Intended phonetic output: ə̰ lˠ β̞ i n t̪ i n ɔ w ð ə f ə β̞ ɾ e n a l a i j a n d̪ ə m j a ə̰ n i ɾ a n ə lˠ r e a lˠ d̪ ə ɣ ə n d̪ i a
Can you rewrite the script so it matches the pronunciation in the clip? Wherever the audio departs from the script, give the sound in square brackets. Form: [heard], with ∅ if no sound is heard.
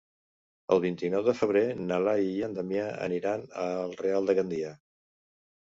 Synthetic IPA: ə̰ lˠ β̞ i n t̪ i n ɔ w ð ə f ə β̞ ɾ e n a l a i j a n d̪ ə m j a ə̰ n i ɾ a n ə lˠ r e a lˠ d̪ ə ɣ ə n d̪ i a